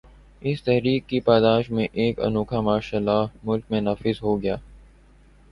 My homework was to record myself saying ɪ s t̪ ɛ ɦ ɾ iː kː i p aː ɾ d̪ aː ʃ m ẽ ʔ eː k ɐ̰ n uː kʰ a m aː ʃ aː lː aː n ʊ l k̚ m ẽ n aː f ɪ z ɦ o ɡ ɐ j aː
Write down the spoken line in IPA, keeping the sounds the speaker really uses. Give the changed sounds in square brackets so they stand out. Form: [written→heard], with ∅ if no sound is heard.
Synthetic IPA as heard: ɪ s t̪ ɛ ɦ ɾ iː kː i p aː [ɾ→∅] d̪ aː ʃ m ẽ ʔ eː k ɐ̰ n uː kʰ a m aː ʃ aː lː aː [n→m] ʊ l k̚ m ẽ n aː f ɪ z ɦ o ɡ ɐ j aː